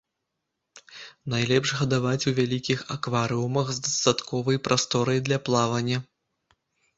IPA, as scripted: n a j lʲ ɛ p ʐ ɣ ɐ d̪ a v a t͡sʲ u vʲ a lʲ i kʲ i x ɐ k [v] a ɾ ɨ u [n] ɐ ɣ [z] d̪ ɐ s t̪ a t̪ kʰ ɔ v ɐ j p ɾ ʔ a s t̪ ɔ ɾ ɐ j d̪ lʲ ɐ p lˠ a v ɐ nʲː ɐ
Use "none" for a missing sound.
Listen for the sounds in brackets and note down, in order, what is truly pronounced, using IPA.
v, m, z

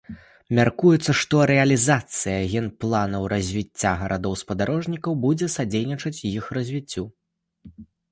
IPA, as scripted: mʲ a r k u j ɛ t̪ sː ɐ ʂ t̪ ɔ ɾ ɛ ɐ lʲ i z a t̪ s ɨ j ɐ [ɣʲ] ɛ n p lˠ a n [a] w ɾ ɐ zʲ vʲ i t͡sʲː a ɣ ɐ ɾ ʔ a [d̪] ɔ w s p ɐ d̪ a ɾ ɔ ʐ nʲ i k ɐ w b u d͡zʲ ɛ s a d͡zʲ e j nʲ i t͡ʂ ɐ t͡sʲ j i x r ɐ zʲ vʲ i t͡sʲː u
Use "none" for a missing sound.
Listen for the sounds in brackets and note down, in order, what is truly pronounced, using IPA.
ɣʲ, ɐ, d̪

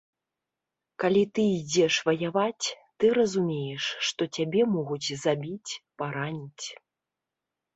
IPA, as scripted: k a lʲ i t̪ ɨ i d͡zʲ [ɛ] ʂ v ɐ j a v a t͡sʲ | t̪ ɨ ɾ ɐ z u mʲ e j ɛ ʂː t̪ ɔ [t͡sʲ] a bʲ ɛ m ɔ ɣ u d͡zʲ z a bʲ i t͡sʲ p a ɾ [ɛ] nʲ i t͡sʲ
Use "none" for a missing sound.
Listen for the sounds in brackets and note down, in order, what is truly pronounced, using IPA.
ɛ, t͡sʲ, a

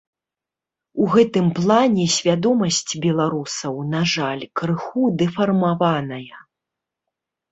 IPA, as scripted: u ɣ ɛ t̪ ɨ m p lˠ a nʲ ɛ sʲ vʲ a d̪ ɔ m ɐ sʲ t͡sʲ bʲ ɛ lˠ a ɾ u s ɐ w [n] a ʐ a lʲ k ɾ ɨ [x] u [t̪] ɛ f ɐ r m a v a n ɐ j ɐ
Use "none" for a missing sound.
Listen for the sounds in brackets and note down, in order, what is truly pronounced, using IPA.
n, x, d̪

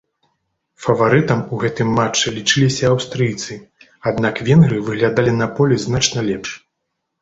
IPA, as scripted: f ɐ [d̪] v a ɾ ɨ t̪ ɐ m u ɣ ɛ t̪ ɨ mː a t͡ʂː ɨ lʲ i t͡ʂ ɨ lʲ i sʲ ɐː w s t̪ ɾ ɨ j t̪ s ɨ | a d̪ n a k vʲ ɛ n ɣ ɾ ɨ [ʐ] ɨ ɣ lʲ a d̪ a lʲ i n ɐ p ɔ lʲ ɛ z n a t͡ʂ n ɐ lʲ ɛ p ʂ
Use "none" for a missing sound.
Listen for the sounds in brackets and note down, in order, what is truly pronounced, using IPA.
none, v

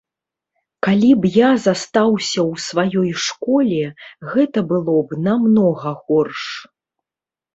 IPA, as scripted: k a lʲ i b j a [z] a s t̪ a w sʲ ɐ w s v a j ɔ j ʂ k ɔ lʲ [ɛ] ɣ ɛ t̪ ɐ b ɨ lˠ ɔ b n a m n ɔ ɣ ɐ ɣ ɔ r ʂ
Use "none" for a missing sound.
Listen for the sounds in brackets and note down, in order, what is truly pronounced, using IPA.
z, ɛ

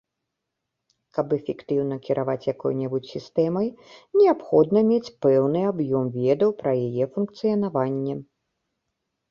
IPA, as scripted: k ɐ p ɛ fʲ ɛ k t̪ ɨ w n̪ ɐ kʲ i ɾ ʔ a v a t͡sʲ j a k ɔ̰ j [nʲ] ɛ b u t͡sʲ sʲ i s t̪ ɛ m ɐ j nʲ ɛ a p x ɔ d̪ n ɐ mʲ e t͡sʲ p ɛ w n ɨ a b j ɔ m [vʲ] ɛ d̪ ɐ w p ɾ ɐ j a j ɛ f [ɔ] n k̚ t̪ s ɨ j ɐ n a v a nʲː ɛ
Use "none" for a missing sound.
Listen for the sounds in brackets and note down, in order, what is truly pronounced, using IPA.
nʲ, vʲ, u

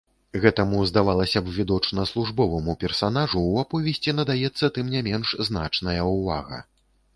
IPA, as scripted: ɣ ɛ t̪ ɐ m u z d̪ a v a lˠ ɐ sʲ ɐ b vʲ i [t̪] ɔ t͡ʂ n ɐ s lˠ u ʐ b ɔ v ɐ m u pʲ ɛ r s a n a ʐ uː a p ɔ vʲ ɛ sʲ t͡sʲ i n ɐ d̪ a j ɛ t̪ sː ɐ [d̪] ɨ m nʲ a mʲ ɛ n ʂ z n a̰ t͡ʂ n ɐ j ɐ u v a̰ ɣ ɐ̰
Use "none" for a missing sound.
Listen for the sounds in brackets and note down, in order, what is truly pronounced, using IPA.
d̪, t̪

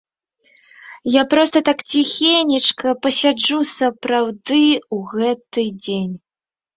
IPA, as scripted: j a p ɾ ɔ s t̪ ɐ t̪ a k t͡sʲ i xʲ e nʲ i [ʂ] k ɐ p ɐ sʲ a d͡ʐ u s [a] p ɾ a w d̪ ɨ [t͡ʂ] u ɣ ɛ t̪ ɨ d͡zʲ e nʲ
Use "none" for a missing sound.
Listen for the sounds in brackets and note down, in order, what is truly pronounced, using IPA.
t͡ʂ, ɐ, none

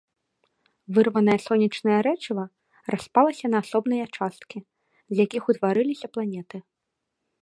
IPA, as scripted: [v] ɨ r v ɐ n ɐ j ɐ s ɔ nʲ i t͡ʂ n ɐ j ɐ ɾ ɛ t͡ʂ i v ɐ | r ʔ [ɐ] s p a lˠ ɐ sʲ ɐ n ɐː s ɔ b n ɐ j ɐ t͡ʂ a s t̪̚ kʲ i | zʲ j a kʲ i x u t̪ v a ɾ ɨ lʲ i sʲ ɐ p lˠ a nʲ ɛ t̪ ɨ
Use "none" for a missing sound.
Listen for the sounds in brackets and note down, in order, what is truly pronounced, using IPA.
v, a

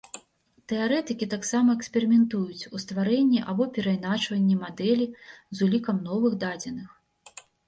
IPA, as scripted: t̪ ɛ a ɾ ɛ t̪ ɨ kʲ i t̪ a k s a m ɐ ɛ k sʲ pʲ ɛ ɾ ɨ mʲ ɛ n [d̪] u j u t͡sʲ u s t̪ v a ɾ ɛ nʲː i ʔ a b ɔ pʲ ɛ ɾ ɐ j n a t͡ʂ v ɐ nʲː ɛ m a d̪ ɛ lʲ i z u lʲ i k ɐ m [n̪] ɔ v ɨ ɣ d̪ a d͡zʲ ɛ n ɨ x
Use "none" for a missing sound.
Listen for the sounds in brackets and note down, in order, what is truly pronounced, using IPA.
t̪, n̪

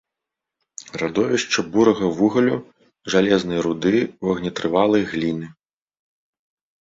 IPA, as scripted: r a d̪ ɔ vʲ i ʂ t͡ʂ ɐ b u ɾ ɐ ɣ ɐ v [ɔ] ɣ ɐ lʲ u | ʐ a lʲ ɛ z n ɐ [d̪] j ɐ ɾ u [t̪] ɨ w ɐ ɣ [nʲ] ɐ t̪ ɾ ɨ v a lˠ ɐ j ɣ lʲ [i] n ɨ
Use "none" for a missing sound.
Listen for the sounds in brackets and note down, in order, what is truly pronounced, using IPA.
u, none, d̪, nʲ, i

